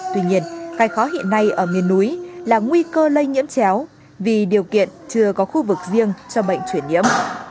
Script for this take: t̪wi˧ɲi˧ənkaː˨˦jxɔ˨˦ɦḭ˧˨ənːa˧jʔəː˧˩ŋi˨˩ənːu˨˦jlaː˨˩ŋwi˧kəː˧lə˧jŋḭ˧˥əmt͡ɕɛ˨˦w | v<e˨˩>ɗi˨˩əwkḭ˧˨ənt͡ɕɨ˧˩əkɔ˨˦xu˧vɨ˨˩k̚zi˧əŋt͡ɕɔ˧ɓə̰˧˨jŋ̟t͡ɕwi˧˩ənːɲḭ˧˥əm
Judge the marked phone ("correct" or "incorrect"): incorrect